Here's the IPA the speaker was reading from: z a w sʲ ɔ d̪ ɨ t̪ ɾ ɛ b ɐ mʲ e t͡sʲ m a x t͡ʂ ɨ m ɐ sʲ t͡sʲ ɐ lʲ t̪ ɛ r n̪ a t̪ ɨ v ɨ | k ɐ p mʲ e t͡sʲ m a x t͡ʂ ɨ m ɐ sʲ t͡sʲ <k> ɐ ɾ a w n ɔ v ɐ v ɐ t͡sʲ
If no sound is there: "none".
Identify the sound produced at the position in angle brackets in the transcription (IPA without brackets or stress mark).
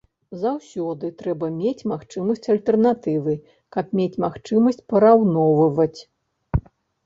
p